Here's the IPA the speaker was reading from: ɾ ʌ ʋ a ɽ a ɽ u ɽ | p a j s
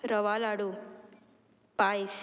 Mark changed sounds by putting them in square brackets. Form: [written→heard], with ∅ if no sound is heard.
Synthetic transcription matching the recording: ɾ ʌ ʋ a [ɽ→l] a ɽ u [ɽ→∅] | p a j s

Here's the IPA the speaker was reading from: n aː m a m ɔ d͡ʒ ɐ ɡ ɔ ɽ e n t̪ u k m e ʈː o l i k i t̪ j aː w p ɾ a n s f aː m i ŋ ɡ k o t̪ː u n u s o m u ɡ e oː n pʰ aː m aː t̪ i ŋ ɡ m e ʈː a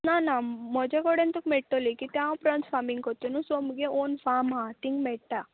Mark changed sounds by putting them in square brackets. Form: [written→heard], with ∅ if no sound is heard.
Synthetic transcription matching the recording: n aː [m→n] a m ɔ d͡ʒ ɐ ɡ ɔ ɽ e n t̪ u k m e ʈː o l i k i t̪ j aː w p ɾ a n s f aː m i ŋ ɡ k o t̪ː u n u s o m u ɡ e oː n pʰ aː m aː t̪ i ŋ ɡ m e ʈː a

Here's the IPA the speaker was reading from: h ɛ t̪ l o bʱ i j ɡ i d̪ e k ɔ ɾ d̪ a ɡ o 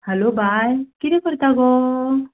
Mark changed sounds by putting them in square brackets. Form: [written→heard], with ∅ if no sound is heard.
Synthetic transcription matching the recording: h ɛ [t̪→∅] l o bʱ [i→a] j [ɡ→k] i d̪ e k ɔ ɾ [d̪→t̪] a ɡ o

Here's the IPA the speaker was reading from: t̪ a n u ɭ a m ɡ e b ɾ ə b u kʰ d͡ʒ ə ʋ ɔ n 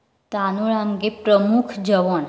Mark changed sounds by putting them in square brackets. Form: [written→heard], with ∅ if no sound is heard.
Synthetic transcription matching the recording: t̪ a n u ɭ a m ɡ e [b→p] ɾ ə [b→m] u kʰ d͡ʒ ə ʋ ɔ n

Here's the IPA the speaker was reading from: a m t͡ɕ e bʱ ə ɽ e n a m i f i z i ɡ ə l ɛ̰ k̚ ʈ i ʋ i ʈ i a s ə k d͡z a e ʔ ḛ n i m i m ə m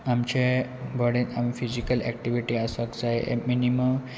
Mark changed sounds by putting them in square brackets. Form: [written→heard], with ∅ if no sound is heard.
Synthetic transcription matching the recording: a m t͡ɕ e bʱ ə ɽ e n a m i f i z i [ɡ→k] ə l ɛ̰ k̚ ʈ i ʋ i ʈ i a s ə k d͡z a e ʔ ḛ [n→m] i [m→n] i m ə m

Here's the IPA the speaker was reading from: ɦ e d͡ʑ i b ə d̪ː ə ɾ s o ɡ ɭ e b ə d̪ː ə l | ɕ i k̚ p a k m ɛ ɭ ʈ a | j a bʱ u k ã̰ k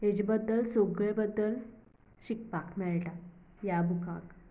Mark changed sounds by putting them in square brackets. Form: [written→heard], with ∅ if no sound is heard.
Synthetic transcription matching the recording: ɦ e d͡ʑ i b ə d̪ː ə [ɾ→l] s o ɡ ɭ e b ə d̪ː ə l | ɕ i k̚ p a k m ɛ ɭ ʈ a | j a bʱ u k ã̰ k

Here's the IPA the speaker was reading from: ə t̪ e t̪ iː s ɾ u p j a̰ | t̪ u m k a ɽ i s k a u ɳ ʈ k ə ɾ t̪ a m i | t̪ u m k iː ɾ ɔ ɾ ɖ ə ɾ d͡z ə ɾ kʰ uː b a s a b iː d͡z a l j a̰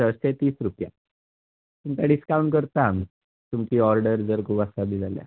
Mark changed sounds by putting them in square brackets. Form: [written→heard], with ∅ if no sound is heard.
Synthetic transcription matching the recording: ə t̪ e t̪ iː s ɾ u p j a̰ | t̪ u m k a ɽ i s k a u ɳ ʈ k ə ɾ t̪ a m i | t̪ u m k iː [ɾ→∅] ɔ ɾ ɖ ə ɾ d͡z ə ɾ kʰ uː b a s a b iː d͡z a l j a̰

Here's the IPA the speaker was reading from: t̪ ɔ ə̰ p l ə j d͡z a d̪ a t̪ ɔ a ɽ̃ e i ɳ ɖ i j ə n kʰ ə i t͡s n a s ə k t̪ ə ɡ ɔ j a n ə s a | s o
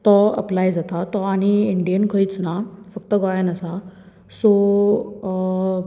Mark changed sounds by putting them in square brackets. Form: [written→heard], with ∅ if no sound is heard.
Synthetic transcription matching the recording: t̪ ɔ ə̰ p l [ə→a] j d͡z a [d̪→t̪] a t̪ ɔ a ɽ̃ [e→i] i ɳ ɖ i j ə n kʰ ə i t͡s n a [s→f] ə k t̪ ə ɡ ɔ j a n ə s a | s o

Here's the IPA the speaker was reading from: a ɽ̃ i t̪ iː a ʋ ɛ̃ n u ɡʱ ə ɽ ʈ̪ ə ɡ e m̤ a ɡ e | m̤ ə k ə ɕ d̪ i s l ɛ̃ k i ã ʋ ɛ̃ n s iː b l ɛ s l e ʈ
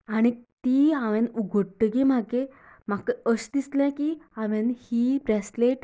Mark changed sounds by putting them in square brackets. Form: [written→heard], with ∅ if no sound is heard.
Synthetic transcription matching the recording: a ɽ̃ i t̪ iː a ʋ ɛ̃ n u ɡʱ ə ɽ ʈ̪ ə ɡ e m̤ a ɡ e | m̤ [ə→a] k ə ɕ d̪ i s l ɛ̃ k i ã ʋ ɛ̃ n [s→h] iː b [l→ɾ] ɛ s l e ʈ

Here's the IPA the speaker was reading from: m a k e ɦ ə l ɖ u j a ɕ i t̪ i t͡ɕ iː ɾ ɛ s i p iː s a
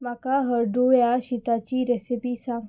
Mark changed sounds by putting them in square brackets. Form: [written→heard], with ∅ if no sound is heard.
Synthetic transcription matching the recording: m a k [e→a] ɦ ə [l→ɾ] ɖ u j a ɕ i t̪ [i→a] t͡ɕ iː ɾ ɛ s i p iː s a

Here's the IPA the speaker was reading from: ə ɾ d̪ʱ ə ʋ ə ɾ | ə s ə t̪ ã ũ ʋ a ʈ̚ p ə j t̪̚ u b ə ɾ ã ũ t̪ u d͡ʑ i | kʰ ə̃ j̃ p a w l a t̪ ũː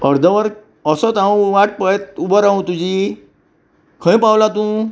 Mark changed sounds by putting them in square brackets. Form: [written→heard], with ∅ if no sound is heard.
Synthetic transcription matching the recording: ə ɾ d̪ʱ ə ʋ ə ɾ | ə s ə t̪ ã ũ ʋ a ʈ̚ p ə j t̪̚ u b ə ɾ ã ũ t̪ u d͡ʑ i | kʰ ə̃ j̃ p a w l a t̪ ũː

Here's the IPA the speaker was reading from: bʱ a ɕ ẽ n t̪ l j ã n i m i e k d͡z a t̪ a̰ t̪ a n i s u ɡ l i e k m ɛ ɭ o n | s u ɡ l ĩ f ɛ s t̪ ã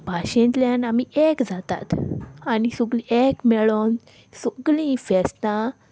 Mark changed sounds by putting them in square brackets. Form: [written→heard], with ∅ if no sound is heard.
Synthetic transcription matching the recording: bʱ a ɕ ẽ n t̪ l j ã n [i→a] m i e k d͡z a t̪ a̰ t̪ a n i s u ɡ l i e k m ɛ ɭ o n | s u ɡ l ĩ f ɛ s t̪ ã

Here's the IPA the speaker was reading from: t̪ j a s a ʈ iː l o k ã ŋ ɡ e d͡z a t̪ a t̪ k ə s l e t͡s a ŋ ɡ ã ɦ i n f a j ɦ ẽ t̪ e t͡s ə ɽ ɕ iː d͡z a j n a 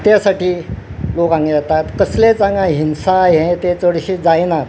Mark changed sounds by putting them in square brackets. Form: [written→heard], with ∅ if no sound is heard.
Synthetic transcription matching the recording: t̪ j a s a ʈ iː l o k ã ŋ ɡ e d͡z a t̪ a t̪ k ə s l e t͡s a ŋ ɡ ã ɦ i n [f→s] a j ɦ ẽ t̪ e t͡s ə ɽ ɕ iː d͡z a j n a

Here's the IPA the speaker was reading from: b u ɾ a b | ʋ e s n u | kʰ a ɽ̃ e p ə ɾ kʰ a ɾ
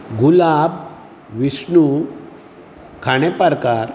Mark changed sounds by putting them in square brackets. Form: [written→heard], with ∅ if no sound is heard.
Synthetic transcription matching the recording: [b→ɡ] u [ɾ→l] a b | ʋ [e→i] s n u | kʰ a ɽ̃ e p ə ɾ [kʰ→k] a ɾ

